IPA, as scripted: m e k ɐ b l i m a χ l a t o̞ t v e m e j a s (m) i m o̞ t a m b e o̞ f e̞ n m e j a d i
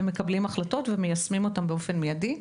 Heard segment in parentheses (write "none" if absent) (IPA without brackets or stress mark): m